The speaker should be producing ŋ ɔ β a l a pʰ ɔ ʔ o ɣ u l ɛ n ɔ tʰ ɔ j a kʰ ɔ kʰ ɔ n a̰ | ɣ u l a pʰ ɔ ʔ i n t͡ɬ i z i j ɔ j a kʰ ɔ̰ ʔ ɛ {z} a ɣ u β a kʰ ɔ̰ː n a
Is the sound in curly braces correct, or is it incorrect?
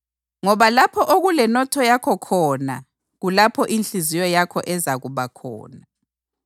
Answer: correct